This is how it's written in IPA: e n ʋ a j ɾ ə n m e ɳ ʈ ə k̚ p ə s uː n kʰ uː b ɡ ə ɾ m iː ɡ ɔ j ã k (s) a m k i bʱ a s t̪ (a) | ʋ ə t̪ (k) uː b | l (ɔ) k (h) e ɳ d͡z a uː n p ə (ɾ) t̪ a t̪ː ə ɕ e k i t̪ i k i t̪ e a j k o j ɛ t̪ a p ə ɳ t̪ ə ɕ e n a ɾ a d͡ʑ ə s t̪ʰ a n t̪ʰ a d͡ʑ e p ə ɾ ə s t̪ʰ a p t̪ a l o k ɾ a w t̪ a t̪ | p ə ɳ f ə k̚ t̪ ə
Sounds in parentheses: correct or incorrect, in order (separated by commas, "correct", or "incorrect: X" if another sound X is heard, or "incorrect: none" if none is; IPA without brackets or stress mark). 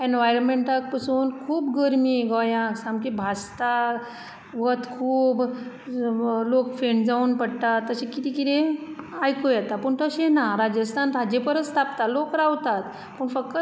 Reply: correct, correct, incorrect: kʰ, incorrect: o, incorrect: f, incorrect: ɽ